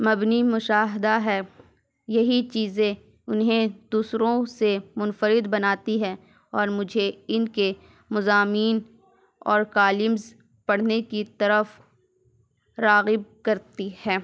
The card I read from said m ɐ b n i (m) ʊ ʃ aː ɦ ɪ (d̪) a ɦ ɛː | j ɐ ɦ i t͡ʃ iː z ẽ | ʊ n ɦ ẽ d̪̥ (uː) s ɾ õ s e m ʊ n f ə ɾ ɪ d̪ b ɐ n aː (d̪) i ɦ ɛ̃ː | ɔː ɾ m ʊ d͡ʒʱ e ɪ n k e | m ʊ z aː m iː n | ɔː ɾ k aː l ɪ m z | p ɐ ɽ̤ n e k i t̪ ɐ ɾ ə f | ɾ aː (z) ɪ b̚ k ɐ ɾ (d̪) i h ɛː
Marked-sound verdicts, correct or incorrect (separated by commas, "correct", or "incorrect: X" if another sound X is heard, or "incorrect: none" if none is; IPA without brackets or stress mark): correct, correct, correct, incorrect: t̪, incorrect: ɣ, incorrect: t̪